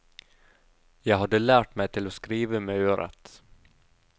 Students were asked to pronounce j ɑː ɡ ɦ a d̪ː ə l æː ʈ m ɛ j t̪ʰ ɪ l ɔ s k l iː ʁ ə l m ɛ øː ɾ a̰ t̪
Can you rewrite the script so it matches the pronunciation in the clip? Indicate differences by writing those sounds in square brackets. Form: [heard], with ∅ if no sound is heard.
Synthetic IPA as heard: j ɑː ɡ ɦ a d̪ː ə l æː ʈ m ɛ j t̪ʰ ɪ l ɔ s k [ɾ] iː [v] ə [∅] m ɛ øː ɾ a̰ t̪